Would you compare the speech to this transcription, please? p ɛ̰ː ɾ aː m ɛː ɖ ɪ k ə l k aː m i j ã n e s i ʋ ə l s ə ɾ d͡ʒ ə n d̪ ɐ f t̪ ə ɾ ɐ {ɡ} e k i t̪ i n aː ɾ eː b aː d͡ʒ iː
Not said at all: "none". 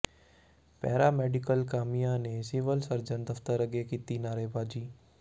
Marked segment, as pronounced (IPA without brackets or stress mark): ɡ